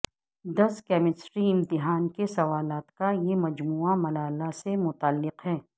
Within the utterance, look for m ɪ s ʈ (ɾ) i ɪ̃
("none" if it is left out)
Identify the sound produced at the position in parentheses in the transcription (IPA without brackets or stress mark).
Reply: ɾ